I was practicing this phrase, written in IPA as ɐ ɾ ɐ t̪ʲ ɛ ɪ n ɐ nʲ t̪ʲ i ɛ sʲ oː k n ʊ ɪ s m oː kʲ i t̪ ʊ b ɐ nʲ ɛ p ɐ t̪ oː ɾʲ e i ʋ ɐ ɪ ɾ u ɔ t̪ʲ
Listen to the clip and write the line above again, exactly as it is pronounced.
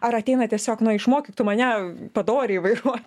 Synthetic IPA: ɐ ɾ ɐ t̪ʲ ɛ ɪ n ɐ t̪ʲ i ɛ sʲ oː k n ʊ ɪ ʃ m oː kʲ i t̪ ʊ m ɐ nʲ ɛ p ɐ d̪ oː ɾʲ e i ʋ ɐ ɪ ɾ u ɔ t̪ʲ